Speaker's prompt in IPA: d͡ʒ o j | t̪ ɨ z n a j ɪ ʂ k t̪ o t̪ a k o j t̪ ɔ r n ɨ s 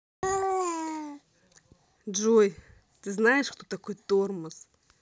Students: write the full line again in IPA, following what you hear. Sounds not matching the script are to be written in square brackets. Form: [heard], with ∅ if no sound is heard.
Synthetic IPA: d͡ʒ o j | t̪ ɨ z n a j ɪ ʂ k t̪ o t̪ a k o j t̪ [o] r [m] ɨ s